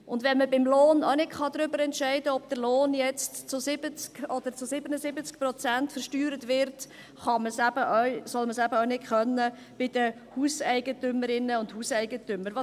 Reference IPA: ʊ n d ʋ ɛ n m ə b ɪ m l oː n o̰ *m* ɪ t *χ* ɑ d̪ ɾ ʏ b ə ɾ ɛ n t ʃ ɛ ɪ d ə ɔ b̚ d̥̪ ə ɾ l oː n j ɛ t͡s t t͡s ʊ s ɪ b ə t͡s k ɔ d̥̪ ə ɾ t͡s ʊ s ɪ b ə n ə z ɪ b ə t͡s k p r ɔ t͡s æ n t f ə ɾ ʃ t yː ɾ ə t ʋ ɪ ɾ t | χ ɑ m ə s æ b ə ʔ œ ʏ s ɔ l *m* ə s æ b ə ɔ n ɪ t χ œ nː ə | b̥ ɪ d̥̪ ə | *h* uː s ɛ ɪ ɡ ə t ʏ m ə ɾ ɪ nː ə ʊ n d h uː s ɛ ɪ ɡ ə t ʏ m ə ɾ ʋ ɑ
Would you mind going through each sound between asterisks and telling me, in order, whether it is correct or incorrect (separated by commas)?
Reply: incorrect, correct, correct, correct